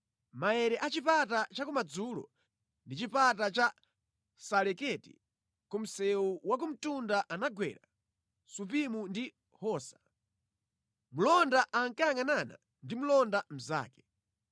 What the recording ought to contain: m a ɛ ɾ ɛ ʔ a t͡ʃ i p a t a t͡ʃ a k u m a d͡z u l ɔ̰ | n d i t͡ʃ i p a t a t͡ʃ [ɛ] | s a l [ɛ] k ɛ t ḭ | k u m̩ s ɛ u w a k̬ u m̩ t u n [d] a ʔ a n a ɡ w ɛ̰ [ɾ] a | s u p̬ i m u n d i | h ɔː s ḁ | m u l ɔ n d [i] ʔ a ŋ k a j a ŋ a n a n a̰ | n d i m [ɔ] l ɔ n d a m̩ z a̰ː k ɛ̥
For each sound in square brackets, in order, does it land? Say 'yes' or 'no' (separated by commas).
no, yes, yes, yes, no, no